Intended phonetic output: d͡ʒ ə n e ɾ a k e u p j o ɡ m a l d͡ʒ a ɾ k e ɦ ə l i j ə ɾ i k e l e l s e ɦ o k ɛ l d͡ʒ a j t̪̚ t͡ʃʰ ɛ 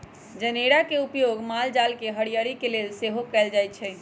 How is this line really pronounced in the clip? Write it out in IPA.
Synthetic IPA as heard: d͡ʒ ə n e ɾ a k e u p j o ɡ m a l d͡ʒ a l k e ɦ ə ɽ i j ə ɾ i k e l e l s e ɦ o k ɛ l d͡ʒ a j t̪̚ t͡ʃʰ ɛ